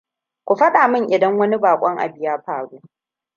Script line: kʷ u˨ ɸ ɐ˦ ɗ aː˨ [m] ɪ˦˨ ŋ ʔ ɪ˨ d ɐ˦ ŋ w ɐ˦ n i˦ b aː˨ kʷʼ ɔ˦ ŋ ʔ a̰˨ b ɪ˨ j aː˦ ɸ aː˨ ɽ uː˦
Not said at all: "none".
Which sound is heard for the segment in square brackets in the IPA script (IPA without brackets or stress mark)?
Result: m